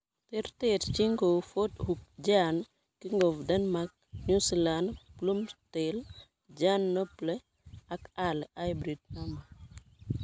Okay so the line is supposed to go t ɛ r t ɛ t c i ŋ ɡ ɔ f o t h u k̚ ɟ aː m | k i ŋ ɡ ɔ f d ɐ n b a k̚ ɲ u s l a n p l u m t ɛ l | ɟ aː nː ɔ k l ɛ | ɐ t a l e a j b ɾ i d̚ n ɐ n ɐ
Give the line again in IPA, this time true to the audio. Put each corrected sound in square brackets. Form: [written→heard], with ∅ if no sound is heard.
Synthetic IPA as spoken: t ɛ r t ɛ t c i ŋ ɡ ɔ f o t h u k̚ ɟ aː [m→n] | k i ŋ ɡ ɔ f d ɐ n [b→m] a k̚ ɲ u s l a n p l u m t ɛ l | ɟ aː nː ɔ [k→p] l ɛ | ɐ [t→k] a l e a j b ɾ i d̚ n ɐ [n→m] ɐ